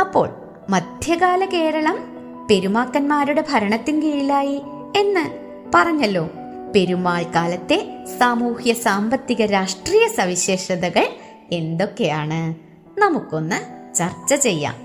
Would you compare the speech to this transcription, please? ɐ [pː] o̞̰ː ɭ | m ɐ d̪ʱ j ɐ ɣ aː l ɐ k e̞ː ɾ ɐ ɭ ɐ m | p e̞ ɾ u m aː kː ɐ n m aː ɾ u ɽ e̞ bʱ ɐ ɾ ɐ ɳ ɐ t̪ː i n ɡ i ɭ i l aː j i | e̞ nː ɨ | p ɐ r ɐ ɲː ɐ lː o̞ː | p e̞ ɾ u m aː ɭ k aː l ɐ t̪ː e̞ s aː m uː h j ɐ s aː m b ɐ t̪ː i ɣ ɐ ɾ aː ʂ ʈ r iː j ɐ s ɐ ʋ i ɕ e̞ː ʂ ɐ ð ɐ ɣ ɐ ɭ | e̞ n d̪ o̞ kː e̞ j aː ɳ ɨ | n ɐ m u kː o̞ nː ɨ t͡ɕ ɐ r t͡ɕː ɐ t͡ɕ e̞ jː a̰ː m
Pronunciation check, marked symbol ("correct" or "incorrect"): correct